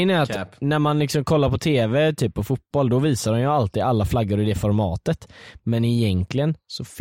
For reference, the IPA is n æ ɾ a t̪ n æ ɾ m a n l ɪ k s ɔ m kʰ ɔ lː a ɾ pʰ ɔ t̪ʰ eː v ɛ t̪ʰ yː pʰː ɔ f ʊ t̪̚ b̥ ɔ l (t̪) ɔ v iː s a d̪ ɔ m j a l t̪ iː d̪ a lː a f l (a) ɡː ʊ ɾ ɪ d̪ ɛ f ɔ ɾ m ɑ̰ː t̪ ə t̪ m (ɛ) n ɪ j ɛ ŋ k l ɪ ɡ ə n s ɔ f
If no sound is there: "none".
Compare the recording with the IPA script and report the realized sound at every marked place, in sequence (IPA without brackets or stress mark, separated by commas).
d̪, a, ɛ